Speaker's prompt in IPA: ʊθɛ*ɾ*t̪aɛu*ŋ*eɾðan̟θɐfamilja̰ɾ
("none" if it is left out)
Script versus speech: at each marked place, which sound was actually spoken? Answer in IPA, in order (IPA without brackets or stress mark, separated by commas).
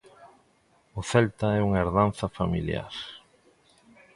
l, ŋ